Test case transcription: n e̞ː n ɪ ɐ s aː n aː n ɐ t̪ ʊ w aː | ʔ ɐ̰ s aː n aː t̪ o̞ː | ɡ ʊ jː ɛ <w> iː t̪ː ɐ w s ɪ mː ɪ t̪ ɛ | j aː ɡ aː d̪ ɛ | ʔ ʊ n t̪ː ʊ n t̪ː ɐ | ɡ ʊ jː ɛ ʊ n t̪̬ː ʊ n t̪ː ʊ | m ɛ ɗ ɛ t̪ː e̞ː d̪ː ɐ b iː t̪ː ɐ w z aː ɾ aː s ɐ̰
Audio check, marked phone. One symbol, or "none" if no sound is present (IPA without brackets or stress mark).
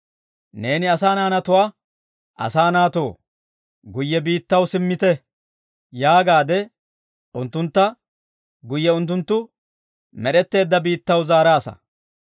b